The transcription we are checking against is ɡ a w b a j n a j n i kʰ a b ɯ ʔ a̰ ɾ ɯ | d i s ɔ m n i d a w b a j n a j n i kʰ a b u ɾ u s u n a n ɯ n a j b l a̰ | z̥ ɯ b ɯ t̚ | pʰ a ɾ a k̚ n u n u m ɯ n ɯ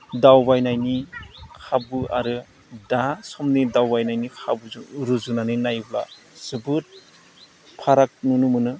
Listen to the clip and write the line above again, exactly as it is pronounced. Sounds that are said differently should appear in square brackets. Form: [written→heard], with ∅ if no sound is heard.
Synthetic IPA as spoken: [ɡ→d] a w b a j n a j n i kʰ a b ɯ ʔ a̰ ɾ ɯ | d [i→a] s ɔ m n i d a w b a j n a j n i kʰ a b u ɾ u [s→z] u n a n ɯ n a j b l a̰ | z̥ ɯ b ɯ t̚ | pʰ a ɾ a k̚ n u n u m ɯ n ɯ